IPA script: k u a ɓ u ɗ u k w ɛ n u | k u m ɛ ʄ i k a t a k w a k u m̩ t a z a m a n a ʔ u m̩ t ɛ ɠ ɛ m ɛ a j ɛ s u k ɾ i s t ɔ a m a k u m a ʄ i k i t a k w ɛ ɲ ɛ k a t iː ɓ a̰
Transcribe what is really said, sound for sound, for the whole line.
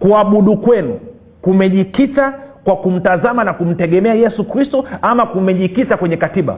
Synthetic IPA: k u a ɓ u ɗ u k w ɛ n u | k u m ɛ ʄ i k i t a k w a k u m̩ t a z a m a n a k u m̩ t ɛ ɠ ɛ m ɛ a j ɛ s u k ɾ i s t ɔ a m a k u m ɛ ʄ i k i t a k w ɛ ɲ ɛ k a t i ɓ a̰